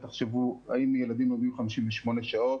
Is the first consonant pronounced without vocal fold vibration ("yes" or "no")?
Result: yes